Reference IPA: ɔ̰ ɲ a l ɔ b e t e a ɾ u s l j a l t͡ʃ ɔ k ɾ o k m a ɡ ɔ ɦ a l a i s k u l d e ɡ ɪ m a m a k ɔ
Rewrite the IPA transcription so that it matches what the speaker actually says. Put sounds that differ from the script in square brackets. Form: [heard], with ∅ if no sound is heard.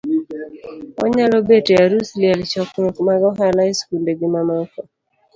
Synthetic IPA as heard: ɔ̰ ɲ a l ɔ b e t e a ɾ u s l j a l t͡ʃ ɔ k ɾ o k m a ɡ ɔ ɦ a l a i s k u l d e ɡ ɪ m a m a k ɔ

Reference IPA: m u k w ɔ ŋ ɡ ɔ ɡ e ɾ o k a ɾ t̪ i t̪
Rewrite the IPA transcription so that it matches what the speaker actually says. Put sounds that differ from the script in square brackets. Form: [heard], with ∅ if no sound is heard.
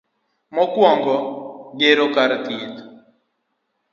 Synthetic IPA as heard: m [ɔ] k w ɔ ŋ ɡ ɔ ɡ e ɾ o k a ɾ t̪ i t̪

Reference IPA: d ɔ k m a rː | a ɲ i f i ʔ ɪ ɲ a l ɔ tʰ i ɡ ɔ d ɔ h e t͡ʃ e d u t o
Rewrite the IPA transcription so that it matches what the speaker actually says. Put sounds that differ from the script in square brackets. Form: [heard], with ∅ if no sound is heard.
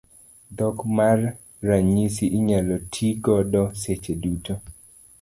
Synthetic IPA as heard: d ɔ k m a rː | a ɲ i [s] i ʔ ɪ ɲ a l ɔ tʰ i ɡ ɔ d ɔ [s] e t͡ʃ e d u t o

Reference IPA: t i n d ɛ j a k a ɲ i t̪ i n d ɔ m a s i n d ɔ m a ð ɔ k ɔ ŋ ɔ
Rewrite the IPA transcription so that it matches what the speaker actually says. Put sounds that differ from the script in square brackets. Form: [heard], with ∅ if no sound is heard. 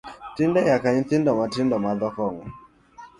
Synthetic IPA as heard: t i n d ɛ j a k a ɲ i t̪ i n d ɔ m a [t] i n d ɔ m a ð ɔ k ɔ ŋ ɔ

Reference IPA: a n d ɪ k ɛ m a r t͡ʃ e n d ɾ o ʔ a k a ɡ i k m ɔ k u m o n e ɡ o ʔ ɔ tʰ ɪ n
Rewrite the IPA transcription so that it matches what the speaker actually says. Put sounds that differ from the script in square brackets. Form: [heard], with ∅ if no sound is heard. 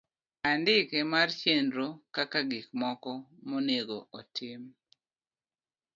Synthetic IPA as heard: a n d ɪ k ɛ m a r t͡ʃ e n d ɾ o [k] a k a ɡ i k m ɔ k [ɔ] m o n e ɡ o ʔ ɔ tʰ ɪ [m]

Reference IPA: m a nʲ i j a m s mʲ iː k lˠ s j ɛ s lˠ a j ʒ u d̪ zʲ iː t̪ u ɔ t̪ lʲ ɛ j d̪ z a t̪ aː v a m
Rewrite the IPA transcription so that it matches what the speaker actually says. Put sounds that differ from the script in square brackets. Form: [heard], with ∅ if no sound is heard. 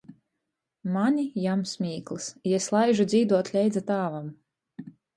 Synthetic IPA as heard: m a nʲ i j a m s mʲ iː k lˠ s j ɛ s lˠ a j ʒ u d̪ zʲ iː [d̪] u ɔ t̪ lʲ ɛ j d̪ z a t̪ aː v a m

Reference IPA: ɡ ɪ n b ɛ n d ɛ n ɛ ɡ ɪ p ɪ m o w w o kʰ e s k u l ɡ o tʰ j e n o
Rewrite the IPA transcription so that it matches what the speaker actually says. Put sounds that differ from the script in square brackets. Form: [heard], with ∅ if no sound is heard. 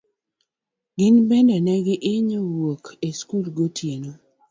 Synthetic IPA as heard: ɡ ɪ n b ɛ n d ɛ n ɛ ɡ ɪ [ʔ] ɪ [ɲ] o w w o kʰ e s k u l ɡ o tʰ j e n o

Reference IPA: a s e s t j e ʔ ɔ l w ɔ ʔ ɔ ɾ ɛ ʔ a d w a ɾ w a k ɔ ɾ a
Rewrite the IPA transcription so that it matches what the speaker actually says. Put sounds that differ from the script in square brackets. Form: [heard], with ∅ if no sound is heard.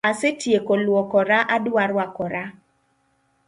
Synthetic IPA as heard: a s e [∅] t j e [k] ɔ l w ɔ [k] ɔ ɾ [a] ʔ a d w a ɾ w a k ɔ ɾ a

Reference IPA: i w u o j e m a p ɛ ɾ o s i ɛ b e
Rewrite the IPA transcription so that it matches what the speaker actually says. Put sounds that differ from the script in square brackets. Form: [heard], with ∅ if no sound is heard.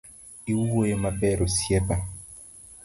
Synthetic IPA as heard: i w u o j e m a [b] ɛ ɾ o s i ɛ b [a]

